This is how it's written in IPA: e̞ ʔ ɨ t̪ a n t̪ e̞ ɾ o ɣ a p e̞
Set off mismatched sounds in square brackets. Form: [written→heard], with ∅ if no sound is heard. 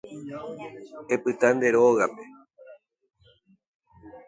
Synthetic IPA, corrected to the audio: e̞ [ʔ→p] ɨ t̪ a n [t̪→d̪] e̞ ɾ o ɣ a p e̞